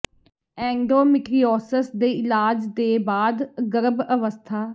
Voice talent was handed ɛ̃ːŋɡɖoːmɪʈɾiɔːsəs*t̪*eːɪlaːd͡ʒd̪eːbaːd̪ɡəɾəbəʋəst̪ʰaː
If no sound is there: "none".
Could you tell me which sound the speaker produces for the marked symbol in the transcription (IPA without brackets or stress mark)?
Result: d̪